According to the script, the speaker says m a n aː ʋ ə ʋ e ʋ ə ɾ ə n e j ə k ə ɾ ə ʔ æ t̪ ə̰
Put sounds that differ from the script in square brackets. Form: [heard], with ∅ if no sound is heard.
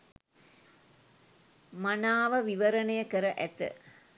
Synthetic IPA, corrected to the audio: m a n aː ʋ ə ʋ [i] ʋ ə ɾ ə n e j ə k ə ɾ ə ʔ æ t̪ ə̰